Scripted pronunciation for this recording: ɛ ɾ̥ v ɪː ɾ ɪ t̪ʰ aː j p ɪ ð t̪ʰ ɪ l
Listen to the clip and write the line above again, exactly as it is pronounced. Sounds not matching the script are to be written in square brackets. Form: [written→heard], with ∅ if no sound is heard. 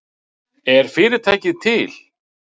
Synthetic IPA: ɛ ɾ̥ [v→f] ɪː ɾ ɪ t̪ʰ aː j [p→c] ɪ ð t̪ʰ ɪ l